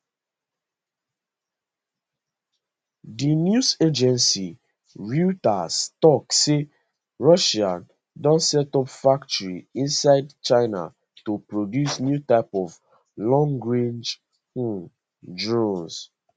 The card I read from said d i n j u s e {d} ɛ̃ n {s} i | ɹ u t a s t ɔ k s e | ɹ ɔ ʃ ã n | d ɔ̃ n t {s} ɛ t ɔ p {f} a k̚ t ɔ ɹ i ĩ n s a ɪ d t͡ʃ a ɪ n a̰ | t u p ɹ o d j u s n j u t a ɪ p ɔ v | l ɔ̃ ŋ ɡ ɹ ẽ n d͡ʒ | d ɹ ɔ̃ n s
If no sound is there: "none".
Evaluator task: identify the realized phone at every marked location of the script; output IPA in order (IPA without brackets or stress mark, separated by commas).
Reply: d͡ʒ, s, s, f